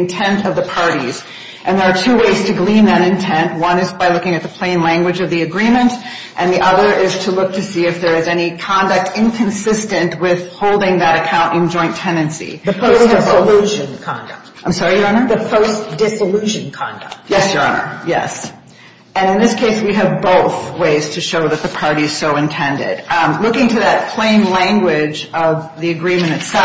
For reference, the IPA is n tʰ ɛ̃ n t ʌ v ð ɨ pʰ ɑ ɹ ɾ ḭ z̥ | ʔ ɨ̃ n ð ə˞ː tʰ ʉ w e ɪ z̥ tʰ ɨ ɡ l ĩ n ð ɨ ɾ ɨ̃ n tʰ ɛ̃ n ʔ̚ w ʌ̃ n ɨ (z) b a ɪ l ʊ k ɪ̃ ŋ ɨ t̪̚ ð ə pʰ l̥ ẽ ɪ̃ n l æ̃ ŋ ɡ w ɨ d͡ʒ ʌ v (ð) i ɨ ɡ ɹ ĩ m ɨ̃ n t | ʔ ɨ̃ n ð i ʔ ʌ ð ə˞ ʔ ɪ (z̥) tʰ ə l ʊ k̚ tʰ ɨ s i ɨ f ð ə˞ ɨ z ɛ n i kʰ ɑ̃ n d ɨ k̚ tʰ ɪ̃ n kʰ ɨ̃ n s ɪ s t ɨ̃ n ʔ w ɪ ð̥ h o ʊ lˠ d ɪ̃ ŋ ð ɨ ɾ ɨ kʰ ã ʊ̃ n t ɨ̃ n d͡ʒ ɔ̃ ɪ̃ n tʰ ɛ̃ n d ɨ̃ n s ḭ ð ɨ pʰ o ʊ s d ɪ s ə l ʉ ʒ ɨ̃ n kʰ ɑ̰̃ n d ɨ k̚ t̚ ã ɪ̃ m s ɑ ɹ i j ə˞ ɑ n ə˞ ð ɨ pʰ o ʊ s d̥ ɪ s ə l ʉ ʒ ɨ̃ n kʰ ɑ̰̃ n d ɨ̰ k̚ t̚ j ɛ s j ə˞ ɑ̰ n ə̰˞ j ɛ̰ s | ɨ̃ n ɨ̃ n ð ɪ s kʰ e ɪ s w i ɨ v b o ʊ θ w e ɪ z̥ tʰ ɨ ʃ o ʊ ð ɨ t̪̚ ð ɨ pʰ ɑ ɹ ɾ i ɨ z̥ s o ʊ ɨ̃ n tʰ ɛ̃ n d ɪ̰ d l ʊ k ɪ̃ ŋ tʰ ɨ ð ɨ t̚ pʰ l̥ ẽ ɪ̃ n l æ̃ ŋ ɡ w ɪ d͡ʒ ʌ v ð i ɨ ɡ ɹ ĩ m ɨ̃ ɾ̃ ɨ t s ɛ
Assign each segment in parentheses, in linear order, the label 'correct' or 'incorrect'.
correct, correct, correct

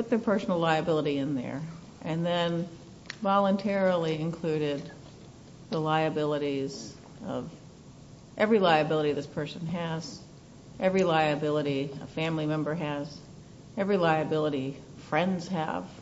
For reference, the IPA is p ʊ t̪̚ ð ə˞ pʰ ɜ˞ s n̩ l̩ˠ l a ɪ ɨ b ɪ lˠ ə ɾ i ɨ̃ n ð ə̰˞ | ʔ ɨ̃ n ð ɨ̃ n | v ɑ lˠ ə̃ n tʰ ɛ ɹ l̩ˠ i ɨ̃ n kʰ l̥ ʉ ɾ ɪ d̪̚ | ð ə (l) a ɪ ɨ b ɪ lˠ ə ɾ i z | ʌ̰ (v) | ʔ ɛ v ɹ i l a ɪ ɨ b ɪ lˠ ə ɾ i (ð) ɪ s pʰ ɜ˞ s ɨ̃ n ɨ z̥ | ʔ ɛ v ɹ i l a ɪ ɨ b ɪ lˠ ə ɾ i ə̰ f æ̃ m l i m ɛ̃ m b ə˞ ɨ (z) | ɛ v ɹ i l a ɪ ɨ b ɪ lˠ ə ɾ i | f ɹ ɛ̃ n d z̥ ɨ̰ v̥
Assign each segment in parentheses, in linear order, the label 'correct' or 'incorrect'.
correct, correct, correct, correct

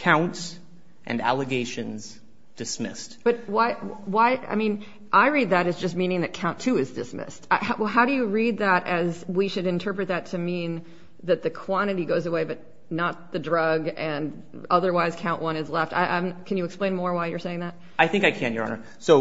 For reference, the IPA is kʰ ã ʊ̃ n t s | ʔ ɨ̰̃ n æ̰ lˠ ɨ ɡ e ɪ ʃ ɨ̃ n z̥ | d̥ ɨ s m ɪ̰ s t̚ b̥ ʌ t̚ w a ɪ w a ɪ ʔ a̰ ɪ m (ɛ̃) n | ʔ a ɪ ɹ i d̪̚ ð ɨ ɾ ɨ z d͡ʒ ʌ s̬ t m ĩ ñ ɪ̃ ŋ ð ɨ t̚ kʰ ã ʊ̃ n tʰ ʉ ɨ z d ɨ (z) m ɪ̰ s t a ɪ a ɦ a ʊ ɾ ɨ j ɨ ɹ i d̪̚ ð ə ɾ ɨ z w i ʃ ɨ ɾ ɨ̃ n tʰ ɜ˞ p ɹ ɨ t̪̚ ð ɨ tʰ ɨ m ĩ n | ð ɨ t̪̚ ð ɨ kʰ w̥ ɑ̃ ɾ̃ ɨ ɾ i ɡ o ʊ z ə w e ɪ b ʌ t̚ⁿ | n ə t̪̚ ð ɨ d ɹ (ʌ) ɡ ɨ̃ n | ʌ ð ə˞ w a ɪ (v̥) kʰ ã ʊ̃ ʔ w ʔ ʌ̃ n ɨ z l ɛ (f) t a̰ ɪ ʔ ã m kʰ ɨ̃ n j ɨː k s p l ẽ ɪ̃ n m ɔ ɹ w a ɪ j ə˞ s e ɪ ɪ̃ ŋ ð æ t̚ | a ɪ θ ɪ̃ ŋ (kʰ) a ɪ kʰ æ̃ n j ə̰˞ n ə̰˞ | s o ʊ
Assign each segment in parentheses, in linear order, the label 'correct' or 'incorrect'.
incorrect: ĩ, incorrect: s, correct, incorrect: z̥, correct, incorrect: k

